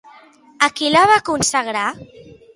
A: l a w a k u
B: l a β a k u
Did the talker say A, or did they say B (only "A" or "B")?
B